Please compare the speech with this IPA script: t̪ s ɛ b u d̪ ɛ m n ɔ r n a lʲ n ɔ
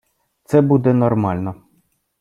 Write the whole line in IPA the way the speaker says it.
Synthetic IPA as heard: t̪ s ɛ b u d̪ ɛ n ɔ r m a lʲ n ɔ